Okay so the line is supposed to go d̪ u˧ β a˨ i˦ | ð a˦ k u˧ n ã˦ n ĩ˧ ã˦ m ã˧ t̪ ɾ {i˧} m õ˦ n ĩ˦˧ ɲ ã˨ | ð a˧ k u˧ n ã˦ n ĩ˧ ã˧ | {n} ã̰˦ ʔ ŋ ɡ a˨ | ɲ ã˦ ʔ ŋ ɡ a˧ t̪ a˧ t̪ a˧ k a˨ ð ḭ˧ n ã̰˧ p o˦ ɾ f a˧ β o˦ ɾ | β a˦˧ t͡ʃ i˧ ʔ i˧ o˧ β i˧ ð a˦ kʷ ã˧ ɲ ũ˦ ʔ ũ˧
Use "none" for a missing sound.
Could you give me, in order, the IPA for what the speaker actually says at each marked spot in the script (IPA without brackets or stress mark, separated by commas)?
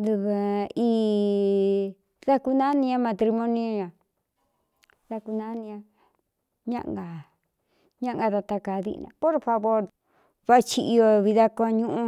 i˧, ɲ